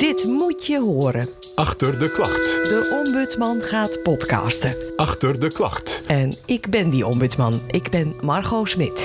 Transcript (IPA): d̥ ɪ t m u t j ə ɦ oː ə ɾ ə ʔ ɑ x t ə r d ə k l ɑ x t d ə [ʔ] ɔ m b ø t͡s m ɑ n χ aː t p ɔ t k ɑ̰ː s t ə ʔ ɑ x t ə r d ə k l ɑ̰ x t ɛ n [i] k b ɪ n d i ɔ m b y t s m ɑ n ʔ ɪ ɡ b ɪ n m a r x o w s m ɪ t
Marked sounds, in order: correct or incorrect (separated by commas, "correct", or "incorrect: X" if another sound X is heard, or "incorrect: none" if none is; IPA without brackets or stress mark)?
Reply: correct, incorrect: ɪ